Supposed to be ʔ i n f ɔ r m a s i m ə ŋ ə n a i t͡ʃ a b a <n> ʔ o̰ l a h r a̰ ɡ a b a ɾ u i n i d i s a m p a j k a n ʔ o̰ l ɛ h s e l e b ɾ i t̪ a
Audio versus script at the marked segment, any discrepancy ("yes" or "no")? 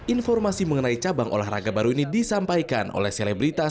yes